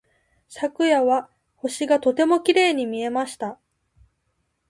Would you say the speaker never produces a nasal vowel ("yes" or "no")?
yes